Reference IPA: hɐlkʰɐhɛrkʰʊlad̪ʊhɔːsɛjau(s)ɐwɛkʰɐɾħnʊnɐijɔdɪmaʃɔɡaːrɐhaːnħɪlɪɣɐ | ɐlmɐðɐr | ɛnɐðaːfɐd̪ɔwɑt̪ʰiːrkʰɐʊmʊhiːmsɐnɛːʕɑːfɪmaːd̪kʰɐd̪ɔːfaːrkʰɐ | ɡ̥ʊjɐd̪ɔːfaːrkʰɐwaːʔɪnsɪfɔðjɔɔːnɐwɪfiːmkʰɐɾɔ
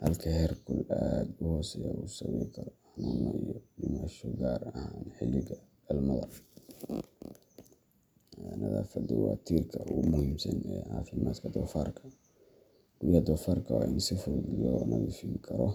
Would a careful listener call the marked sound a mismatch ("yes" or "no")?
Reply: no